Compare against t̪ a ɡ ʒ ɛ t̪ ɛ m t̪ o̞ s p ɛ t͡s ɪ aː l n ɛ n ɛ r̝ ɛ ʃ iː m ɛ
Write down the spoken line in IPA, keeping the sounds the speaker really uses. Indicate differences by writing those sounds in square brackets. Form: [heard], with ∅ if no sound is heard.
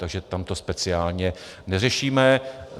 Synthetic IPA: t̪ a ɡ ʒ ɛ t̪ [a] m t̪ o̞ s p ɛ t͡s ɪ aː l [ɲ] ɛ n ɛ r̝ ɛ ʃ iː m ɛ